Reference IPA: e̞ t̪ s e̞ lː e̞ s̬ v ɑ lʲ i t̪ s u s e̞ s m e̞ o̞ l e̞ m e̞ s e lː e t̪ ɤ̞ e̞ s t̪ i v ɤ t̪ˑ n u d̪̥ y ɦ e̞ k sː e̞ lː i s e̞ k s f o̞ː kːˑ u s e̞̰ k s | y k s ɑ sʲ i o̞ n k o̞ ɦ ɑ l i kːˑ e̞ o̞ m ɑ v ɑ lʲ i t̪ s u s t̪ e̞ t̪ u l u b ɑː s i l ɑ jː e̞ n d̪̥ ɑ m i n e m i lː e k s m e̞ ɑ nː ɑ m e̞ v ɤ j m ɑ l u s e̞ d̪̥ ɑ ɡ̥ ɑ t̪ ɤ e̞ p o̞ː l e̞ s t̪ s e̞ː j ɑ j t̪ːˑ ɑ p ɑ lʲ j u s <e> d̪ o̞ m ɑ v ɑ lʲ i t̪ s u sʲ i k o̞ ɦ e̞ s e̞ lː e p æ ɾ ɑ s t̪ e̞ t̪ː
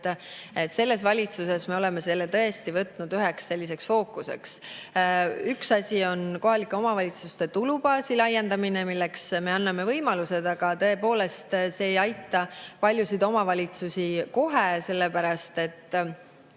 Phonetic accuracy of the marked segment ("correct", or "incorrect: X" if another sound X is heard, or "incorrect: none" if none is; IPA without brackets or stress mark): incorrect: i